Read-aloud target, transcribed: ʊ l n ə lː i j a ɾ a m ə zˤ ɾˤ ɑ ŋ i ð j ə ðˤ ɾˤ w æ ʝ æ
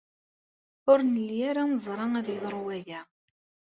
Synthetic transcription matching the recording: ʊ ɾ n ə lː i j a ɾ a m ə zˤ ɾˤ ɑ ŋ æ ð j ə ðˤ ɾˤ w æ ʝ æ